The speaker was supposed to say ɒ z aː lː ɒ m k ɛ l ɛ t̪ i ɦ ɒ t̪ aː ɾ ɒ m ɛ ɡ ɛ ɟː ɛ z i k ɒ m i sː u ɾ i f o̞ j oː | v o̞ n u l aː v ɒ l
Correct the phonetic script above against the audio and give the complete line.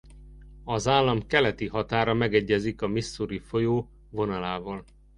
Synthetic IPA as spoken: ɒ z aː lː ɒ m k ɛ l ɛ t̪ i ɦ ɒ t̪ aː ɾ ɒ m ɛ ɡ ɛ ɟː ɛ z i k ɒ m i sː u ɾ i f o̞ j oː | v o̞ n ɒ l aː v ɒ l